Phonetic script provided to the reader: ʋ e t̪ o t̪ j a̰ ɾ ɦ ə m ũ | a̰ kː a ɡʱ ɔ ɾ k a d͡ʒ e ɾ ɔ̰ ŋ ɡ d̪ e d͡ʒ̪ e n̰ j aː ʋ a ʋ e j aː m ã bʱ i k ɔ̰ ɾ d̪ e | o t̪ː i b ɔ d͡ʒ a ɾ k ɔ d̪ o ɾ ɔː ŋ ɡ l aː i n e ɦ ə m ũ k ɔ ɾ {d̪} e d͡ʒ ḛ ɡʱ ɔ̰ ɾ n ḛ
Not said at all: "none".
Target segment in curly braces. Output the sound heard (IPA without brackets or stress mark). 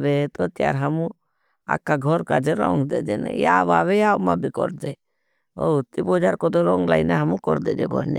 d̪